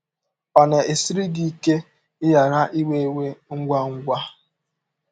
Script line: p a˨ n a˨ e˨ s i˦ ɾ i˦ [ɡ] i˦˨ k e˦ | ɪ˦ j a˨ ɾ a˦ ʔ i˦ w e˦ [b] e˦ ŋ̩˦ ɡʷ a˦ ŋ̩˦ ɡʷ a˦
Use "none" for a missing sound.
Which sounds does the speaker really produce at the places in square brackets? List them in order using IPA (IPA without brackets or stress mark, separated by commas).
ɡ, w